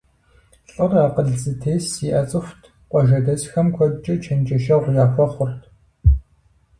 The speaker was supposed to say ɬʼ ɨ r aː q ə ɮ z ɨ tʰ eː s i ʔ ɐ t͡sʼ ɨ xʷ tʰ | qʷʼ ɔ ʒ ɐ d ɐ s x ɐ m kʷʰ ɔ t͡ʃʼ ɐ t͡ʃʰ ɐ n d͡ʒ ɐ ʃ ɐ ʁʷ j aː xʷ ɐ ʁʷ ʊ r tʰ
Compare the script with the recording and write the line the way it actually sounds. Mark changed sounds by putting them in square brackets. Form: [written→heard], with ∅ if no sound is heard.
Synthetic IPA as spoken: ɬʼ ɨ r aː q ə ɮ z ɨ tʰ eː s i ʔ ɐ t͡sʼ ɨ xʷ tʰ | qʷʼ ɔ ʒ ɐ d ɐ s x ɐ m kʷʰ ɔ t͡ʃʼ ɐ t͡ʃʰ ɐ n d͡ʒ ɐ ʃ ɐ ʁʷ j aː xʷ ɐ [ʁʷ→χʷ] ʊ r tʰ

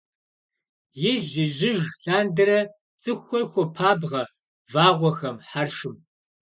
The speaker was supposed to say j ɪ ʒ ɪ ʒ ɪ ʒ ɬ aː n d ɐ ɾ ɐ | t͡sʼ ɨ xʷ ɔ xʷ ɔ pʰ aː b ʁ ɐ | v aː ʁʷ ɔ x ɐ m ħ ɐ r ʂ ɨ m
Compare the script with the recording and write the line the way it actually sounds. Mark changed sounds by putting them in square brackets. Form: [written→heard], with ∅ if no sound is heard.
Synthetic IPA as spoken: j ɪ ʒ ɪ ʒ ɪ ʒ ɬ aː n d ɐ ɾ ɐ | t͡sʼ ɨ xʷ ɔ xʷ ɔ pʰ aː b ʁ ɐ | v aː ʁʷ ɔ x ɐ m ħ [ɐ→a] r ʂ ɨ m

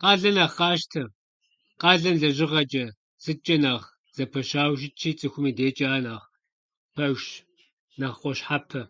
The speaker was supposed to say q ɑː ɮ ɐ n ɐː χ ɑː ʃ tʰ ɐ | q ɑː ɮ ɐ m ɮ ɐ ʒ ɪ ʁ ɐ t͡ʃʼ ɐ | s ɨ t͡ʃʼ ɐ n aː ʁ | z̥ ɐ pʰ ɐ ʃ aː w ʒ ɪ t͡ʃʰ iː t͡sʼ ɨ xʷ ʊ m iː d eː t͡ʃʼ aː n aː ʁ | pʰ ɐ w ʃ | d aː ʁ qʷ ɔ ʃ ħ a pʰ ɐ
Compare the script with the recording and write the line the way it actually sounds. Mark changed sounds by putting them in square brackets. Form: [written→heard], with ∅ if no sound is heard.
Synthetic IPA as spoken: q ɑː ɮ ɐ n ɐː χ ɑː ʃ tʰ ɐ | q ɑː ɮ ɐ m ɮ ɐ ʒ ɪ ʁ ɐ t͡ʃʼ ɐ | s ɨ t͡ʃʼ ɐ n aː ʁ | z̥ ɐ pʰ ɐ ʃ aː w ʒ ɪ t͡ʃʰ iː t͡sʼ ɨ xʷ ʊ m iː d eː t͡ʃʼ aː n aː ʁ | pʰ ɐ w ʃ | [d→n] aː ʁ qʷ ɔ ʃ ħ a pʰ ɐ

